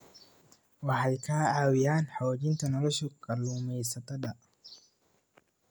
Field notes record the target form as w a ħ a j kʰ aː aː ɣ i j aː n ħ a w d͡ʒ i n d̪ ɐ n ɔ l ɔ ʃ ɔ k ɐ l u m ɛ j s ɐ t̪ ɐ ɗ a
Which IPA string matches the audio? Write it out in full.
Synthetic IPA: w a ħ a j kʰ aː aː w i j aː n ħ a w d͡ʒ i n t̪ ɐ n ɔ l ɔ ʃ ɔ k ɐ l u m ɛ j s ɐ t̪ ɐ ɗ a